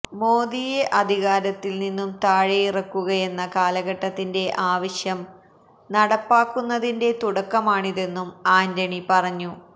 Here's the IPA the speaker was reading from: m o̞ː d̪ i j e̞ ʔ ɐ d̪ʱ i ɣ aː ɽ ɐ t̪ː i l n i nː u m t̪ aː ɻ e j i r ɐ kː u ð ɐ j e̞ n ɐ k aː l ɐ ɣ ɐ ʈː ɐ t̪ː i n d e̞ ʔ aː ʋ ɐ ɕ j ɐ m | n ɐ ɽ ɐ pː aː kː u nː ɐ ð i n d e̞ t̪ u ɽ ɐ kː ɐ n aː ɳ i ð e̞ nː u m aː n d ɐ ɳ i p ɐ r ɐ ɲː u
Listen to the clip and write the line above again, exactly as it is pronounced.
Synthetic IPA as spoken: m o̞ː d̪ i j e̞ ʔ ɐ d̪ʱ i ɣ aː ɾ ɐ t̪ː i l n i nː u m t̪ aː ɻ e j i r ɐ kː u ɣ ɐ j e̞ nː ɐ k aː l ɐ ɣ ɐ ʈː ɐ t̪ː i n d e̞ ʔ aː ʋ ɐ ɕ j ɐ m | n ɐ ɽ ɐ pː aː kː u nː ɐ ð i n d e̞ t̪ u ɽ ɐ kː ɐ m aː ɳ i ð e̞ nː u m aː n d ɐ ɳ i p ɐ r ɐ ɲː u